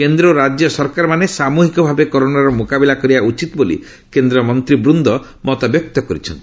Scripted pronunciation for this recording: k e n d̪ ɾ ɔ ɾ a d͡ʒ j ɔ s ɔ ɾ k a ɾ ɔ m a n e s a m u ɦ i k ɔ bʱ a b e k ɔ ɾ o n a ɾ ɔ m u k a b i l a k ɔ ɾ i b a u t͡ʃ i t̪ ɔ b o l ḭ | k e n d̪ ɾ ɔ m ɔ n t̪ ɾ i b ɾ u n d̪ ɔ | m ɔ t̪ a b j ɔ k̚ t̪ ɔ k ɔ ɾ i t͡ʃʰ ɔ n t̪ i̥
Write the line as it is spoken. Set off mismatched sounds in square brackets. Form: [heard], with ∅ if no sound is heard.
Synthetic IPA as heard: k e n d̪ ɾ ɔ ɾ a d͡ʒ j ɔ s ɔ ɾ k a ɾ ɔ m a n e s a m u ɦ i k ɔ bʱ a b e k ɔ ɾ o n a ɾ ɔ m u k a b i l a k ɔ ɾ i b a u t͡ʃ i t̪ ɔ b o l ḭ | k e n d̪ ɾ ɔ m ɔ n t̪ ɾ i b ɾ u n d̪ ɔ | m ɔ t̪ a b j ɔ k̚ t̪ ɔ k ɔ ɾ i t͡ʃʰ ɔ n t̪ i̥